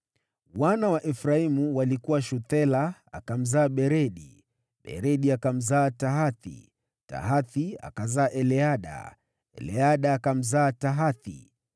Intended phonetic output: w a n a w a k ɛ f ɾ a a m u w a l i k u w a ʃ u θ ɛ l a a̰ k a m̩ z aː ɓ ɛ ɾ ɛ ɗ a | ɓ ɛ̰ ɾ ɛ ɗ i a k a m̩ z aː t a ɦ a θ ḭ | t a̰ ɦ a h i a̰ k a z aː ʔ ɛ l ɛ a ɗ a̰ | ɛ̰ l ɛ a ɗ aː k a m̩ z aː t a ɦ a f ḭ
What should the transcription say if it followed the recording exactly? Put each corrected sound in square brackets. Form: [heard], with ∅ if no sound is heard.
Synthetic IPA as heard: w a n a w a [ʔ] ɛ f ɾ a [i] m u w a l i k u w a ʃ u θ ɛ l a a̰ k a m̩ z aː ɓ ɛ ɾ ɛ ɗ [i] | ɓ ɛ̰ ɾ ɛ ɗ i a k a m̩ z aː t a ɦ a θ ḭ | t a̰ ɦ a [θ] i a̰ k a z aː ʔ ɛ l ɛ a ɗ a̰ | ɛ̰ l ɛ a ɗ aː k a m̩ z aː t a ɦ a [θ] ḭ